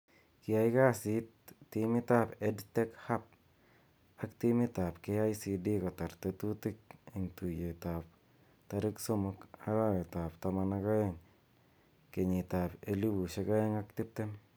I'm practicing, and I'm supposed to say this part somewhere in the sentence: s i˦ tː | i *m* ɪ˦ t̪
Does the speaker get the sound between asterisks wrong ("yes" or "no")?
no